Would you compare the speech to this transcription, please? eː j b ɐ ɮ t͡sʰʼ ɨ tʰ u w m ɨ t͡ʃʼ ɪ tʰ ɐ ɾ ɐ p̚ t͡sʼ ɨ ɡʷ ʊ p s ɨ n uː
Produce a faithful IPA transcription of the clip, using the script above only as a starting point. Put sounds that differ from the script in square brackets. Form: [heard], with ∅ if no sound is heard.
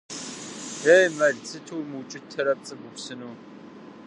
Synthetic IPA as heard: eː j [m] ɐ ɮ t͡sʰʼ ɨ tʰ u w m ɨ t͡ʃʼ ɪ tʰ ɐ ɾ ɐ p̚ t͡sʼ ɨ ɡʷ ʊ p s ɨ n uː

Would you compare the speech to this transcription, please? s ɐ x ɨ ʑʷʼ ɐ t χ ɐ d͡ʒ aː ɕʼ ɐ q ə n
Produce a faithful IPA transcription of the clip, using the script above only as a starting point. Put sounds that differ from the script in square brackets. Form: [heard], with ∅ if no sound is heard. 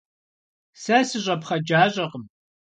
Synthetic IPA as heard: s ɐ [s] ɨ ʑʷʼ ɐ [p] χ ɐ d͡ʒ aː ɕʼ ɐ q ə [m]

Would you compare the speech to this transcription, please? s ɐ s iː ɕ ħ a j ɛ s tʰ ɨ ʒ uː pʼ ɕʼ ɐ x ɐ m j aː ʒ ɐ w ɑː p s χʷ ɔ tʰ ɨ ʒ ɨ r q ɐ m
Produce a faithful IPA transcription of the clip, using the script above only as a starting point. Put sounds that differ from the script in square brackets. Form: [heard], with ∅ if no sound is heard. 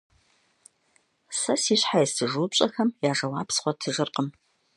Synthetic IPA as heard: s ɐ s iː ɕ ħ a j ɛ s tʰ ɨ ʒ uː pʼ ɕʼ ɐ x ɐ m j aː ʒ ɐ w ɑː p s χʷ ɔ tʰ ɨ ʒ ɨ r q [ə] m

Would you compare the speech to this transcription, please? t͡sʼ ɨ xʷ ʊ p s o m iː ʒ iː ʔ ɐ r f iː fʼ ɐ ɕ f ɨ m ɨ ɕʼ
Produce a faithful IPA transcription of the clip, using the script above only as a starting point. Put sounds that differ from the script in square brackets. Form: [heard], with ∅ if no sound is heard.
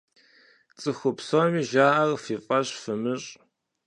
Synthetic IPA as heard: t͡sʼ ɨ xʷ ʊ p s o m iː ʒ [aː] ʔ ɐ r f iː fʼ ɐ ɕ f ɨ m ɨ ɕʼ

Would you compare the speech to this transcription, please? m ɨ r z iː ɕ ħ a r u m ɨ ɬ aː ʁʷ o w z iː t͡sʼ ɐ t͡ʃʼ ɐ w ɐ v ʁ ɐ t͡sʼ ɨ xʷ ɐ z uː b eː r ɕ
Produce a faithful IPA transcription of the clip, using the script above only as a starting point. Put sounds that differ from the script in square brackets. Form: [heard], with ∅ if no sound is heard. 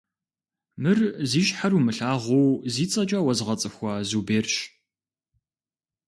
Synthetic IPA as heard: m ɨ r z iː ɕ ħ a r u m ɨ ɬ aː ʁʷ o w z iː t͡sʼ ɐ t͡ʃʼ ɐ w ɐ [z] ʁ ɐ t͡sʼ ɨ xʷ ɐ z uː b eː r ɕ

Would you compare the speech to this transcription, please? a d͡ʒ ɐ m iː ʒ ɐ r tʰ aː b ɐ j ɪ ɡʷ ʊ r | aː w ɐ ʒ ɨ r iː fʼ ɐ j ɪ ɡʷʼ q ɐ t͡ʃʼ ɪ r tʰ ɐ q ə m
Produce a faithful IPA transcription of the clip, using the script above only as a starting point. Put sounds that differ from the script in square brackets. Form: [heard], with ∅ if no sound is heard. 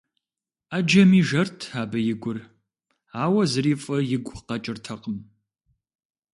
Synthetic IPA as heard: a d͡ʒ ɐ m iː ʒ ɐ r tʰ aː b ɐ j ɪ ɡʷ ʊ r | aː w ɐ [z] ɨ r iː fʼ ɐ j ɪ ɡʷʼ q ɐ t͡ʃʼ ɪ r tʰ ɐ q ə m

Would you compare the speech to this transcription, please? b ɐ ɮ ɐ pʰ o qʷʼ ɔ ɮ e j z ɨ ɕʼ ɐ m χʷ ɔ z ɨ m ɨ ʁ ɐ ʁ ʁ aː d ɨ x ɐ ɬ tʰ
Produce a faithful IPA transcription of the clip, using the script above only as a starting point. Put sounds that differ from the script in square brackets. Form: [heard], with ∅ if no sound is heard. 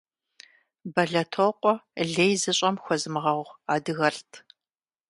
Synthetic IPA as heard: b ɐ ɮ ɐ [tʰ] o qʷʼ ɔ ɮ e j z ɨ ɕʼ ɐ m [xʷ] ɔ z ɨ m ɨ ʁ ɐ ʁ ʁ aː d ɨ [ɣ] ɐ ɬ tʰ

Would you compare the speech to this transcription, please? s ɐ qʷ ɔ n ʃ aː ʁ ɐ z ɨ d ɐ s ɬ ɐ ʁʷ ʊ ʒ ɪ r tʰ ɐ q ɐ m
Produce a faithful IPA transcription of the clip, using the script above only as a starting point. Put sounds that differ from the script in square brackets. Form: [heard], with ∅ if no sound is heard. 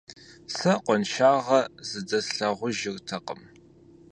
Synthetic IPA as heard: s ɐ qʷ ɔ n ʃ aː ʁ ɐ z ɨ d ɐ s ɬ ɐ ʁʷ ʊ ʒ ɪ r tʰ ɐ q [ə] m

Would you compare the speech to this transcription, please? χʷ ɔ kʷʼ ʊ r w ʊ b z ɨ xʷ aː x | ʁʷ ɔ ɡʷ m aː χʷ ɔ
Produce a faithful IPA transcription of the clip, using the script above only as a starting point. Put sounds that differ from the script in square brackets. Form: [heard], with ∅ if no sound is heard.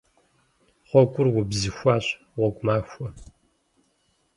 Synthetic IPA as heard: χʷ ɔ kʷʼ ʊ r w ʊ b z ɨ xʷ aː [ɕ] | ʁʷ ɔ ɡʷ m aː [xʷ] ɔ

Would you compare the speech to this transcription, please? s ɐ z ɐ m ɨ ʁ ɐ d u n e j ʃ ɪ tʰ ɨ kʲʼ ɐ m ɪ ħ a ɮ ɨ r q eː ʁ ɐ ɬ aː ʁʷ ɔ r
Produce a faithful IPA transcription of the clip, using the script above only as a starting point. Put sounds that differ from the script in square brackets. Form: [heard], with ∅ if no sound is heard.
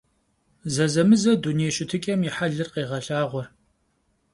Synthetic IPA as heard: [z] ɐ z ɐ m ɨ [z] ɐ d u n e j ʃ ɪ tʰ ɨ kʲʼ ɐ m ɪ ħ a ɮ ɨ r q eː ʁ ɐ ɬ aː ʁʷ ɔ r

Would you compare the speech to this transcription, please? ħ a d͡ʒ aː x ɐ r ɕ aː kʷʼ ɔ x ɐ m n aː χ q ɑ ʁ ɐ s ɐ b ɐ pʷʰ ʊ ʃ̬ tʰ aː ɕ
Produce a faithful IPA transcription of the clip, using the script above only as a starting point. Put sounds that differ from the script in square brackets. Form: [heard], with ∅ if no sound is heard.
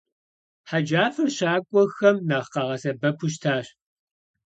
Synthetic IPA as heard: ħ a d͡ʒ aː [f] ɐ r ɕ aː kʷʼ ɔ x ɐ m n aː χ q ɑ ʁ ɐ s ɐ b ɐ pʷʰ ʊ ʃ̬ tʰ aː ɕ

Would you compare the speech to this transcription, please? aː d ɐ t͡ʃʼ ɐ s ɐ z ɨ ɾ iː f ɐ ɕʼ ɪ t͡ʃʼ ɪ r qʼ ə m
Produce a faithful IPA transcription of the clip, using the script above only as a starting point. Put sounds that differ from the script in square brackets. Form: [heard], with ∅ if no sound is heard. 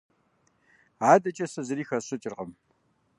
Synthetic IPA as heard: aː d ɐ t͡ʃʼ ɐ s ɐ z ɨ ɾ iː [x] ɐ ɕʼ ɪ t͡ʃʼ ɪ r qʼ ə m

